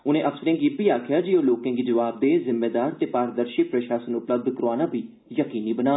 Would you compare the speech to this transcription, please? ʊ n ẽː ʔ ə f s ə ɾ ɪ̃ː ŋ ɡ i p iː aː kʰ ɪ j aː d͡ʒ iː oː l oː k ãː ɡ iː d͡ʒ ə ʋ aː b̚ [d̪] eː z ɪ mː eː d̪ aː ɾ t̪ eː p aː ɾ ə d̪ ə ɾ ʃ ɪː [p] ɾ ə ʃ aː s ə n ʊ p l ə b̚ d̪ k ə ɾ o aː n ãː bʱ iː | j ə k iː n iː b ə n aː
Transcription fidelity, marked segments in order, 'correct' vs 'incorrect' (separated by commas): correct, correct